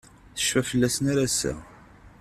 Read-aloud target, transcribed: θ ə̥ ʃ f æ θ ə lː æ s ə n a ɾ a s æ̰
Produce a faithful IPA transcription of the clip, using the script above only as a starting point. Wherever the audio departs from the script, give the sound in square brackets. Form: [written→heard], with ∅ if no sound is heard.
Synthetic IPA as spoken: θ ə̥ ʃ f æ [θ→f] ə lː æ s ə n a ɾ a s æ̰